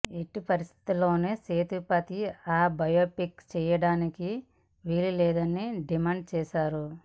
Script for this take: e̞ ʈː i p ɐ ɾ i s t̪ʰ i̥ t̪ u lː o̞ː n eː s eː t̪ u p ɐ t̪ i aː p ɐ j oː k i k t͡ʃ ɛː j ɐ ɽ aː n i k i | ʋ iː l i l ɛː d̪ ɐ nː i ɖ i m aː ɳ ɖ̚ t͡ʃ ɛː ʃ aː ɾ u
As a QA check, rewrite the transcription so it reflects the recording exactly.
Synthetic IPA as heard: e̞ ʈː i p ɐ ɾ i s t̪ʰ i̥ t̪ u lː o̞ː n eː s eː t̪ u p ɐ t̪ i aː b ɐ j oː p i k t͡ʃ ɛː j ɐ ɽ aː n i k i | ʋ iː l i l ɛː d̪ ɐ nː i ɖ i m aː ɳ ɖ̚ t͡ʃ ɛː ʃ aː ɾ u